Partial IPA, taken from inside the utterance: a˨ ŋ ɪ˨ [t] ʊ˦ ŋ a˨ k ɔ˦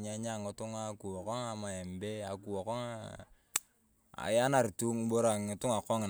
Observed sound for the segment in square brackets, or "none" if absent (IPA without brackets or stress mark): t